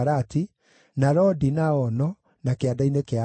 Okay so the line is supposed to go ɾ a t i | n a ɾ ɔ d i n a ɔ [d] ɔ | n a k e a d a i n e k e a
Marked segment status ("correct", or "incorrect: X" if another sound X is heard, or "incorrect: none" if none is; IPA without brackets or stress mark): incorrect: n